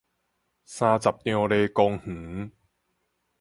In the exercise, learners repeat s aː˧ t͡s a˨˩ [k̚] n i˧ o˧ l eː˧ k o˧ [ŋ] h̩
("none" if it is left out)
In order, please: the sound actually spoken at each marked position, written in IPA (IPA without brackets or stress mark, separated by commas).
p̚, ŋ